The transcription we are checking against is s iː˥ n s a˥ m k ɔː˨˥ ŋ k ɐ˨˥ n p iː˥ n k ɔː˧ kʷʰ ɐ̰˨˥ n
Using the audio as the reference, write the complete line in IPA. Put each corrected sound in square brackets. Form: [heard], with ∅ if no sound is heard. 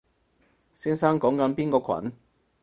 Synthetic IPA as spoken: s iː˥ n s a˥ [ŋ] k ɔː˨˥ ŋ k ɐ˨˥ n p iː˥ n k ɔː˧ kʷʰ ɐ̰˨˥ n